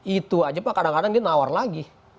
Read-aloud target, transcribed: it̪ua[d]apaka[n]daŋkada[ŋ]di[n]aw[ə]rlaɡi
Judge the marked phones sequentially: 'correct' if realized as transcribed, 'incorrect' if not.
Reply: incorrect: d͡ʒ, incorrect: none, correct, correct, incorrect: a

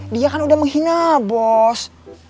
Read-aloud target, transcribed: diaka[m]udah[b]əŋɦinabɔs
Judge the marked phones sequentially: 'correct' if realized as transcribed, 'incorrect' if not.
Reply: incorrect: n, incorrect: m

